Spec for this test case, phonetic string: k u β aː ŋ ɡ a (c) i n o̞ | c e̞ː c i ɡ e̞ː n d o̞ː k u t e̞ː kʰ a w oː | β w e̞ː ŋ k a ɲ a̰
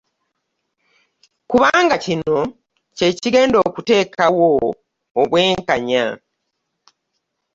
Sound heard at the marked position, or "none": c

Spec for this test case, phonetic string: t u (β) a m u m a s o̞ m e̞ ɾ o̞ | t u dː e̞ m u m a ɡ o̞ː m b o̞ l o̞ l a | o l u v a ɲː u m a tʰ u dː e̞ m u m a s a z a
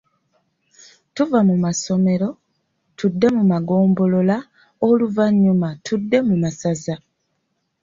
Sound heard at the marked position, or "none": v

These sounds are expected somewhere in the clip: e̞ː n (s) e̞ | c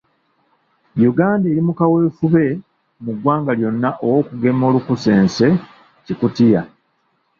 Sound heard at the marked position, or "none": s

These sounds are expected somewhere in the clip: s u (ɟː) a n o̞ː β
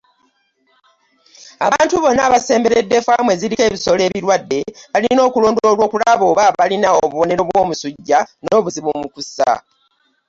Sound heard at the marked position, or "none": ɟː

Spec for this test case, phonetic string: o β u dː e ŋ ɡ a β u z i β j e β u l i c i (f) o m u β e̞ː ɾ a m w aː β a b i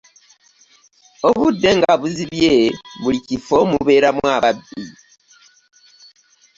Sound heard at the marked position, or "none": f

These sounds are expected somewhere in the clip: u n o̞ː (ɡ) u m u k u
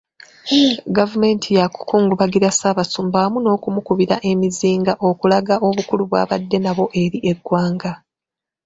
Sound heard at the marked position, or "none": k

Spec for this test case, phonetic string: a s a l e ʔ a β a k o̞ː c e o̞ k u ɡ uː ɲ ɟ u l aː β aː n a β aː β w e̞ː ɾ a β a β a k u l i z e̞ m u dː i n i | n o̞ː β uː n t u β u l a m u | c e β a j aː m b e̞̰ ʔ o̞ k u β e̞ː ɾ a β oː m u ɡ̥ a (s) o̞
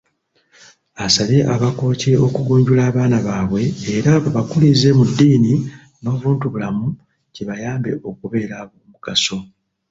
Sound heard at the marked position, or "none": s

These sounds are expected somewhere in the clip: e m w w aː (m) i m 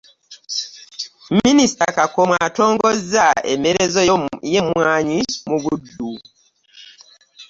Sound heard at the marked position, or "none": ɲ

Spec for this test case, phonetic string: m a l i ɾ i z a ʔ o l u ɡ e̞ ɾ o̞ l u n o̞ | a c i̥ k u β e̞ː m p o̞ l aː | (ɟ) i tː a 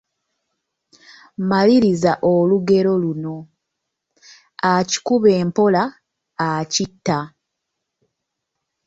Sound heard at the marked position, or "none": c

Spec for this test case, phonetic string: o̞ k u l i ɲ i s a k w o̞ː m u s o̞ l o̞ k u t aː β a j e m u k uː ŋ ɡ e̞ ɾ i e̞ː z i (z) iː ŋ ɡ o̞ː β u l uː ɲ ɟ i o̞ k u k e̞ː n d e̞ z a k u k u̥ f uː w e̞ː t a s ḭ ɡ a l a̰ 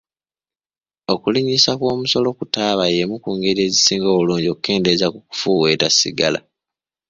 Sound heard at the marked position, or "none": s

